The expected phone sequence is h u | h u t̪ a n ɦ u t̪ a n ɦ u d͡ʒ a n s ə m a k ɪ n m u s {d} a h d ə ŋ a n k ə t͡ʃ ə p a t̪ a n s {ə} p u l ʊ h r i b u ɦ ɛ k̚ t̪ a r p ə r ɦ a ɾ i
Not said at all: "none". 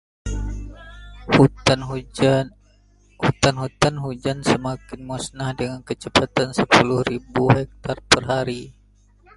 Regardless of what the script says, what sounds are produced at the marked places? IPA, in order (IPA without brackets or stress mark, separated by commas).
n, ə